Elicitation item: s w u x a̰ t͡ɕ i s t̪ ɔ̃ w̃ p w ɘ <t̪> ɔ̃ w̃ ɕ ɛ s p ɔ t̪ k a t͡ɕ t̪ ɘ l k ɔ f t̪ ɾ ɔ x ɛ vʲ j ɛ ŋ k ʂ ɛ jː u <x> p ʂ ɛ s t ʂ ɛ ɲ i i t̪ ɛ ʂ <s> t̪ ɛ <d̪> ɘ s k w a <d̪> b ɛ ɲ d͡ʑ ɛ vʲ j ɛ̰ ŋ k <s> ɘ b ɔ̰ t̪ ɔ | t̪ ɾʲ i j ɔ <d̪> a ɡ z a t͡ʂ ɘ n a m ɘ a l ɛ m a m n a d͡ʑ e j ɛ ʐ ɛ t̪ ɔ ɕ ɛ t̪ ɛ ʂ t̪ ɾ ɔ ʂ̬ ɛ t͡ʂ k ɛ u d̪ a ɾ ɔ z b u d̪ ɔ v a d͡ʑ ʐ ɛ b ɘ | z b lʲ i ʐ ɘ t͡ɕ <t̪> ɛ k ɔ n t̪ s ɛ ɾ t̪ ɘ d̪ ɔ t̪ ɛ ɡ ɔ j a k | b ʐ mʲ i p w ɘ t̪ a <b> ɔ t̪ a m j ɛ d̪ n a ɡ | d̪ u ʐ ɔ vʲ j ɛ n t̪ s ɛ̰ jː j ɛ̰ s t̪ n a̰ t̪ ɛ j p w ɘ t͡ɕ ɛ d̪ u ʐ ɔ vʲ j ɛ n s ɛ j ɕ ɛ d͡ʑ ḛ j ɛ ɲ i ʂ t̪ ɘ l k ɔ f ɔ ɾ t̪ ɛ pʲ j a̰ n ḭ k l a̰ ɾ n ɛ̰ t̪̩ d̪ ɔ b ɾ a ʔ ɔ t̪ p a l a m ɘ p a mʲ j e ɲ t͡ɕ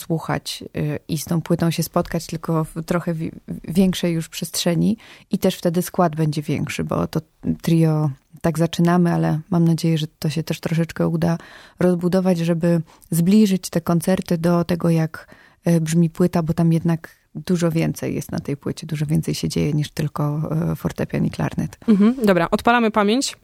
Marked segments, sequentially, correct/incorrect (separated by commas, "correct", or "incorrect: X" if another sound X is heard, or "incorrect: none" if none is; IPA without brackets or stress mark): correct, incorrect: ʂ, incorrect: f, correct, correct, incorrect: ʂ, incorrect: t̪, correct, correct